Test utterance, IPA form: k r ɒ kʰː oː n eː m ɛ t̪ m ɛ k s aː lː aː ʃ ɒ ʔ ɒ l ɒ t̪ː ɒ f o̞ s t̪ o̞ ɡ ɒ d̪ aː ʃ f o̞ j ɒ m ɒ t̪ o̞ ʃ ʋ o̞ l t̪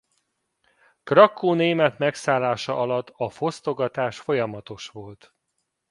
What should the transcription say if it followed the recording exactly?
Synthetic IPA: k r ɒ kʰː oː n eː m ɛ t̪ m ɛ k s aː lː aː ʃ ɒ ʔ ɒ l ɒ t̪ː ɒ f o̞ s t̪ o̞ ɡ ɒ t̪ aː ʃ f o̞ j ɒ m ɒ t̪ o̞ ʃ ʋ o̞ l t̪